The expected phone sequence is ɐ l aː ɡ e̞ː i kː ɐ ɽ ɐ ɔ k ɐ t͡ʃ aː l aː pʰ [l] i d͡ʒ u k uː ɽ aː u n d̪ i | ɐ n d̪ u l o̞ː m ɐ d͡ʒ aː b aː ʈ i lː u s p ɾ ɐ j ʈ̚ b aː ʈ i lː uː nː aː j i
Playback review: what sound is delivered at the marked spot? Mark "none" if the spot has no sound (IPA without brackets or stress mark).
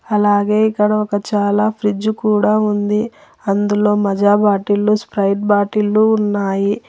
ɾ